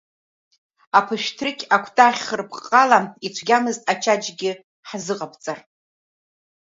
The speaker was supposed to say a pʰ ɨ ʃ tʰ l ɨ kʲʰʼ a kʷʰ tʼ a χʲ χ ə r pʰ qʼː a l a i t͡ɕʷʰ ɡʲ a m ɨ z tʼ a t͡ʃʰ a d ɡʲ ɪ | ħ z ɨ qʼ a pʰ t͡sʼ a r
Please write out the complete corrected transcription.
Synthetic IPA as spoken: a pʰ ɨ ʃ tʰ r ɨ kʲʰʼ a kʷʰ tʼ a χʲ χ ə r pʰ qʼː a l a i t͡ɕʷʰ ɡʲ a m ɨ z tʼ a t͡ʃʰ a d͡ʒ ɡʲ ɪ | ħ z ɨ qʼ a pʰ t͡sʼ a r